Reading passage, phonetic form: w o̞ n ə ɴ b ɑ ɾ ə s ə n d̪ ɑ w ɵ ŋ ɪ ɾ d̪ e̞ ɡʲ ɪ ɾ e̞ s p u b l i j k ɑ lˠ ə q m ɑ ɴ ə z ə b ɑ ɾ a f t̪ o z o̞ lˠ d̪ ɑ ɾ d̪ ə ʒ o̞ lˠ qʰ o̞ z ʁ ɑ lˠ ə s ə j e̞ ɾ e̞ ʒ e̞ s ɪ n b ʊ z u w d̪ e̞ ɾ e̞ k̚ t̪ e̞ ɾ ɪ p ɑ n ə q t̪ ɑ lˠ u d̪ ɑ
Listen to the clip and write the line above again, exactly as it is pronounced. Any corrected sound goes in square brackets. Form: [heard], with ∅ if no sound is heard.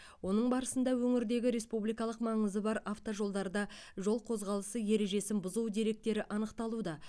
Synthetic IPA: w o̞ n ə ɴ b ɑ ɾ ə s ə n d̪ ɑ w ɵ ŋ ɪ ɾ d̪ e̞ ɡʲ ɪ ɾ e̞ s p u b l i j k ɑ lˠ ə q m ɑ ɴ ə z ə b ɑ ɾ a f t̪ o [ʒ] o̞ lˠ d̪ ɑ ɾ d̪ [ɑ] ʒ o̞ lˠ qʰ o̞ z ʁ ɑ lˠ ə s ə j e̞ ɾ e̞ ʒ e̞ s ɪ n b ʊ z u w d̪ e̞ ɾ e̞ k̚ t̪ e̞ ɾ ɪ [ʔ] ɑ n ə q t̪ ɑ lˠ u d̪ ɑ